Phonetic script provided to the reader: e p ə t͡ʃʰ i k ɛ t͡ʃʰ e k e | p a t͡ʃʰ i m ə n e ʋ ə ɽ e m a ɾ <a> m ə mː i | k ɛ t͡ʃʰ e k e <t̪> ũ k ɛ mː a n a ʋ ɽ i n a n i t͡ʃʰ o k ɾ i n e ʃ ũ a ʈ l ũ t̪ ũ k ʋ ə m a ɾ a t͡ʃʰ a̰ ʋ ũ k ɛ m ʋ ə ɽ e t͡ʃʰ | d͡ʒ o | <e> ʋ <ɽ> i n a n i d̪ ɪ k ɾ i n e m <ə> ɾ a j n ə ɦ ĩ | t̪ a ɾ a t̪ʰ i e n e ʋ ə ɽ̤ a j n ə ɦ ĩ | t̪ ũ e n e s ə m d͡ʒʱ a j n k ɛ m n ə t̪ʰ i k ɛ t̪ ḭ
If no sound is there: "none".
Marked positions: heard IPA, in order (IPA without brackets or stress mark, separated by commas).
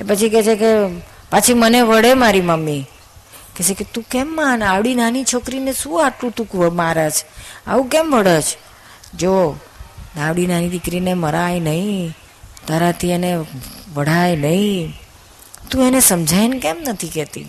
i, t̪, a, ɽ, ə